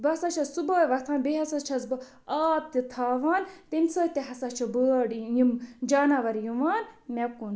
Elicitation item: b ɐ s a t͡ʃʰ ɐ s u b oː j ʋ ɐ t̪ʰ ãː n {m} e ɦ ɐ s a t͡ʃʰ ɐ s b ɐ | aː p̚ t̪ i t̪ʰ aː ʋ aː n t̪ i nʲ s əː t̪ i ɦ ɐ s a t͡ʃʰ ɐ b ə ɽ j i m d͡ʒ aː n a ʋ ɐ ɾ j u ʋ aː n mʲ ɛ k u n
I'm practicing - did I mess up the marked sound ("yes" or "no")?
yes